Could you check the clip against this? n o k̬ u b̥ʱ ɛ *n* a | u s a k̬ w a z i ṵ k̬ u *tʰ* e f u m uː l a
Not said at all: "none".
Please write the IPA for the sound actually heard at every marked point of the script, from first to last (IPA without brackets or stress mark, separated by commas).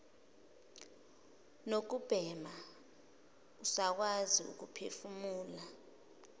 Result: m, pʰ